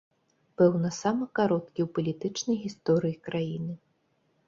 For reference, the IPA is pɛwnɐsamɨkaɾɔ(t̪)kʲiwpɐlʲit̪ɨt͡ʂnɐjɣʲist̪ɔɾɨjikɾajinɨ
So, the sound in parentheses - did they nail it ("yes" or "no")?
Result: yes